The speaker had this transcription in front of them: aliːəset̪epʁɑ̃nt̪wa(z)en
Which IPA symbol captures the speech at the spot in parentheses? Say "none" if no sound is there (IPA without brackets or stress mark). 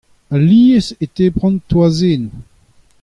z